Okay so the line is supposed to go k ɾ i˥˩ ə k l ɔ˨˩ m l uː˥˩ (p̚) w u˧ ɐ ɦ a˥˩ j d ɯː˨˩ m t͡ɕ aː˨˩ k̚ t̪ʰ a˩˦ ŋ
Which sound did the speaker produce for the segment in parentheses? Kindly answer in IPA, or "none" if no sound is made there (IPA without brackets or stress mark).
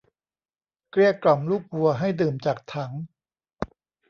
k̚